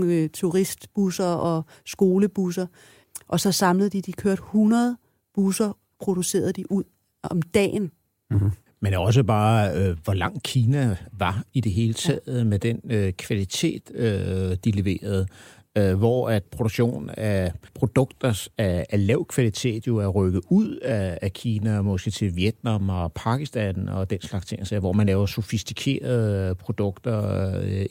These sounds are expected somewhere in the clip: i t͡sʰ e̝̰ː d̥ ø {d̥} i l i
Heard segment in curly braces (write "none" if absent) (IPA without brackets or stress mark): d̥